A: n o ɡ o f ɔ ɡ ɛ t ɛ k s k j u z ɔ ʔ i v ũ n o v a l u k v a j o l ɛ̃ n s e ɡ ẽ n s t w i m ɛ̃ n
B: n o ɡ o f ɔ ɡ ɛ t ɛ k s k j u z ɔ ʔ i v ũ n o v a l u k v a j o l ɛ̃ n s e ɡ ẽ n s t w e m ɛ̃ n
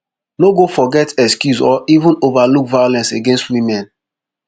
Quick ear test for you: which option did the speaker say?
A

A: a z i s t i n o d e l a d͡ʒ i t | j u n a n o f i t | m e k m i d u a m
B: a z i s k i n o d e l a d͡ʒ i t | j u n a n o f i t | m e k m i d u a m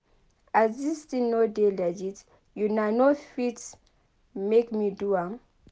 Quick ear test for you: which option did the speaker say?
A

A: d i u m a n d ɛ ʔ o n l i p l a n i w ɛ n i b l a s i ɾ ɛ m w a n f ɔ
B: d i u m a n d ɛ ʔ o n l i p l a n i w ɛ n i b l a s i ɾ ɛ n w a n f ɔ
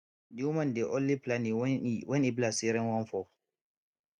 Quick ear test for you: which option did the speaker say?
B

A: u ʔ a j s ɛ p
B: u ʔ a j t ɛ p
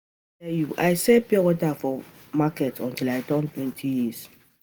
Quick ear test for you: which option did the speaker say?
A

